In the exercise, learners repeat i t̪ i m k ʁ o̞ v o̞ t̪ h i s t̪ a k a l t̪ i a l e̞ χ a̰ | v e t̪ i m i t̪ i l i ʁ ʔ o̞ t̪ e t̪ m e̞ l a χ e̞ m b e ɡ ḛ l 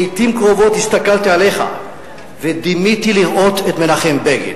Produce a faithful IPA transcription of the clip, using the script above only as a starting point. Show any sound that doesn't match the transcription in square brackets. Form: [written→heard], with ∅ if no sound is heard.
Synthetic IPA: i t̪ i m k ʁ o̞ v o̞ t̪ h i s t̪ a k a l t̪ i a l e̞ χ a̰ | v e [t̪→d̪] i m i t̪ i l i ʁ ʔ o̞ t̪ e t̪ m e̞ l a χ e̞ m b e ɡ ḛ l